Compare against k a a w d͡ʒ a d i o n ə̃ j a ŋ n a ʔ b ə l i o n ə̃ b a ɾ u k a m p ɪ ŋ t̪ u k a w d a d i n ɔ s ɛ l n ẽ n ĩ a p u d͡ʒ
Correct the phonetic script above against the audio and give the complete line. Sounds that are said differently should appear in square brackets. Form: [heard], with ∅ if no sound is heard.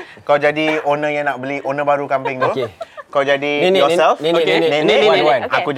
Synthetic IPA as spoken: k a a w d͡ʒ a d i o n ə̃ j a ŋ n a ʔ b ə l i o n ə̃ b a ɾ u k a m p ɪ ŋ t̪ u k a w [d͡ʒ] a d i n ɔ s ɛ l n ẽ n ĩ a [k] u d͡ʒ